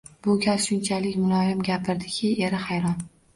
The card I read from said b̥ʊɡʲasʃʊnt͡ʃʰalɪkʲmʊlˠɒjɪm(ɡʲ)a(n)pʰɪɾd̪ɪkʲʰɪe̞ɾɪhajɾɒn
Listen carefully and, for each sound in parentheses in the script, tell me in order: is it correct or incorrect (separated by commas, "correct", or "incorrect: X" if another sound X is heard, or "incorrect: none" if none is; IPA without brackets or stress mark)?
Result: correct, incorrect: none